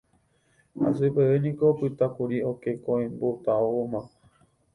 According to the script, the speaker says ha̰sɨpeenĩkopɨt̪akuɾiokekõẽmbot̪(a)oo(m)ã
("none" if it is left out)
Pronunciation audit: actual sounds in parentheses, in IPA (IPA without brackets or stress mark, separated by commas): a, m